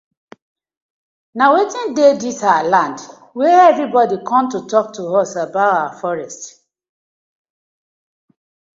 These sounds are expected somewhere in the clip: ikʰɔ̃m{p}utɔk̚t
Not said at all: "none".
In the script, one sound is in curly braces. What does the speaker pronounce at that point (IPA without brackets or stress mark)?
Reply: t